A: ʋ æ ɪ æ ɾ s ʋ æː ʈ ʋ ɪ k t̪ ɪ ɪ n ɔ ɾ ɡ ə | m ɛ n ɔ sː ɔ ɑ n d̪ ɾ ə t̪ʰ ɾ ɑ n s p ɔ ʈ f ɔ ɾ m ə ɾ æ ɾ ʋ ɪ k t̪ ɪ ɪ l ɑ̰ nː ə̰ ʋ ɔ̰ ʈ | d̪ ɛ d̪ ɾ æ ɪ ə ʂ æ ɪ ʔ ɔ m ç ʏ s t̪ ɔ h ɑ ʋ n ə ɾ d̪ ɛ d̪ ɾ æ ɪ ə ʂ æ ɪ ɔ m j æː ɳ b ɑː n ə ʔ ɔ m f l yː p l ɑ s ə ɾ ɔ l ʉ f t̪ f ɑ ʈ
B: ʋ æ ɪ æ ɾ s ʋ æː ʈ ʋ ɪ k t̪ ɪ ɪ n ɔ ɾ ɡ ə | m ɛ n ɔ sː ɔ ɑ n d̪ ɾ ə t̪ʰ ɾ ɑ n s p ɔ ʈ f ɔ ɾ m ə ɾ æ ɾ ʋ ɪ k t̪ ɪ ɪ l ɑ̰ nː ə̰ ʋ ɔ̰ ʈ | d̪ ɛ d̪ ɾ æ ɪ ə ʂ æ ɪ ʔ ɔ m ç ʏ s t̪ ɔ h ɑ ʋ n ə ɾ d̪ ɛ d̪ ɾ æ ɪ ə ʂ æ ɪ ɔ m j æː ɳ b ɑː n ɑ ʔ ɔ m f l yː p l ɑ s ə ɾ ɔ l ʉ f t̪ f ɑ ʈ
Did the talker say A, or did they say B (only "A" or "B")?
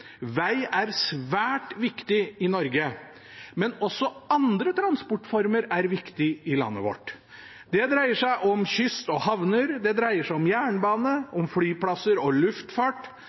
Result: A